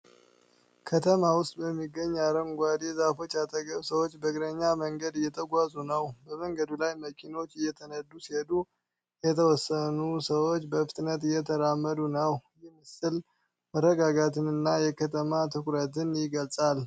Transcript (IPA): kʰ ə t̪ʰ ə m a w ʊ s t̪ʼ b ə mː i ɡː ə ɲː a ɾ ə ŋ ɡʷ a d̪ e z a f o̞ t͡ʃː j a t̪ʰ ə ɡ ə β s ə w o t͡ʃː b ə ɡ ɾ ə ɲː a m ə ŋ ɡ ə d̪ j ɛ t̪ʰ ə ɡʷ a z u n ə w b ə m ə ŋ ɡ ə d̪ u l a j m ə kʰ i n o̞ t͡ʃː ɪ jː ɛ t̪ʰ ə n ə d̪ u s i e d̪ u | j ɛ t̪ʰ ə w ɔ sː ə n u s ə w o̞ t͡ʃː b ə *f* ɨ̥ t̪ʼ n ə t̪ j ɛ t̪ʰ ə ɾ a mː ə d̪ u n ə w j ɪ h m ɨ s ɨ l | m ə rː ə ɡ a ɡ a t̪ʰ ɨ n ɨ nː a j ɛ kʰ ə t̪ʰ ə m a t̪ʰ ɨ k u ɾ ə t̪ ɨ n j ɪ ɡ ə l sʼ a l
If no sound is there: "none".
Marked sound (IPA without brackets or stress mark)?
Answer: f